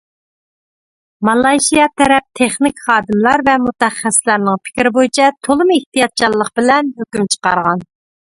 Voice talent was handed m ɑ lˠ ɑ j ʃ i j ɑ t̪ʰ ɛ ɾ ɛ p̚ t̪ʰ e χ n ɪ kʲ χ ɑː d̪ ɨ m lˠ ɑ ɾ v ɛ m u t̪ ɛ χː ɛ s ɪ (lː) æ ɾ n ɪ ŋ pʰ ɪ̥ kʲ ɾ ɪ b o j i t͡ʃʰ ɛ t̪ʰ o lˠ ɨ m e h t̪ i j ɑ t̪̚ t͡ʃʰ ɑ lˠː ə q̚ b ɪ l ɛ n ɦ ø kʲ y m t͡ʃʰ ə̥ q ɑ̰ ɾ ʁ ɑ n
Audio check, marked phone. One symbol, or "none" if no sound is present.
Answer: l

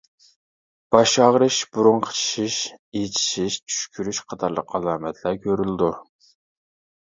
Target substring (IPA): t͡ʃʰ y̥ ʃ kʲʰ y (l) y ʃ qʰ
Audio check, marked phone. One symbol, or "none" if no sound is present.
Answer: ɾ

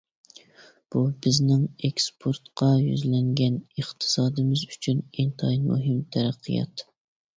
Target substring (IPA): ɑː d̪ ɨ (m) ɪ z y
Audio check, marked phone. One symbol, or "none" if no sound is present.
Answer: m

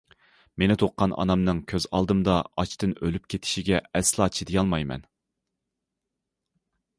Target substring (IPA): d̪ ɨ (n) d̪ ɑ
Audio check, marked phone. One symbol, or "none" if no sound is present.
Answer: m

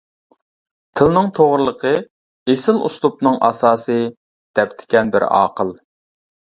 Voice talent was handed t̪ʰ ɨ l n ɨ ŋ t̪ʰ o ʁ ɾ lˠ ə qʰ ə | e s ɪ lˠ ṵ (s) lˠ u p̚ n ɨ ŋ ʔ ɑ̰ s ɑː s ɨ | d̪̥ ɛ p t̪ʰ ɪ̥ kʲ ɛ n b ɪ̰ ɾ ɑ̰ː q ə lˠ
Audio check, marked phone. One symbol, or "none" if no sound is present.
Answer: s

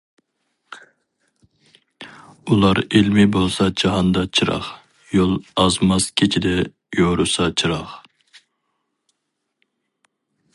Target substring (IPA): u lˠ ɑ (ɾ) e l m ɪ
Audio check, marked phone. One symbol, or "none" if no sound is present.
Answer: ɾ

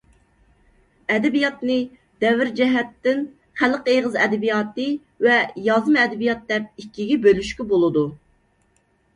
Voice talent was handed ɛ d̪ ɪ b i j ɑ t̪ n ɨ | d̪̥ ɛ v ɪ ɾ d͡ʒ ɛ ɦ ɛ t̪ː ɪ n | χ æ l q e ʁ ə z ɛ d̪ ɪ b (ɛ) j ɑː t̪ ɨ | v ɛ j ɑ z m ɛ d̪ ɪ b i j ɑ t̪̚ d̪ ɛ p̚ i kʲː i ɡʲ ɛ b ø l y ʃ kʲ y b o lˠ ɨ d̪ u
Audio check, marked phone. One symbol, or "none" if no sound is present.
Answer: i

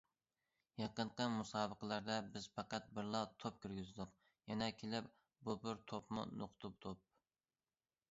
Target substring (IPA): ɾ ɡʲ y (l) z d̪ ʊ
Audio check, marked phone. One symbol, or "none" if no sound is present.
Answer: none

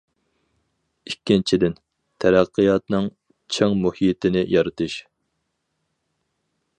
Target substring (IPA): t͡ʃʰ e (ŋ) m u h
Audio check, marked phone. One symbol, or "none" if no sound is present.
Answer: ŋ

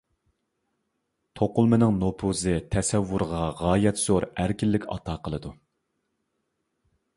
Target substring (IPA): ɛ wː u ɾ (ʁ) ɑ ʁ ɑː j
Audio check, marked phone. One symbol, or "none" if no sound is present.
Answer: ʁ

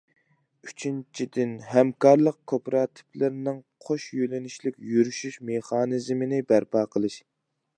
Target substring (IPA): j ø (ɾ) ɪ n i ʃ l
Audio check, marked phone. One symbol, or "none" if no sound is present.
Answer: l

